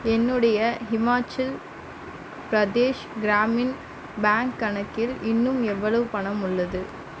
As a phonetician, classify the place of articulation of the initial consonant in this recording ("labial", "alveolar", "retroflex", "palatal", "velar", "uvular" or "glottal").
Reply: alveolar